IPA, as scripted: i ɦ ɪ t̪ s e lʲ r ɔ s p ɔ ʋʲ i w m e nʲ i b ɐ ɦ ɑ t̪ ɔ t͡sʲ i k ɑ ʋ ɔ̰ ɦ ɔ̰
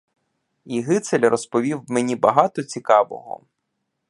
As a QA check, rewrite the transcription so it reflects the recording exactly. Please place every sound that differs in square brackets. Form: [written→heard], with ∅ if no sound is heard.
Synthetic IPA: i ɦ ɪ t̪ s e lʲ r ɔ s p ɔ ʋʲ i w m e nʲ i b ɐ ɦ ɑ t̪ ɔ t͡sʲ i k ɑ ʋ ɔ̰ ɦ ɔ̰